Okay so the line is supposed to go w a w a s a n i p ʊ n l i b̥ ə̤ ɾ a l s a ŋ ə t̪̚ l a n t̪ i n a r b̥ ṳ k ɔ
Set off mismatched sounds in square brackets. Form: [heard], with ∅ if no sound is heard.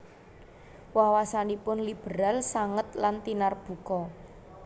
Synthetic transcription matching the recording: w a w a s a n i p ʊ n l i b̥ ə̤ ɾ a l s a ŋ ə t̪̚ l a n t̪ i n a r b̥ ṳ k ɔ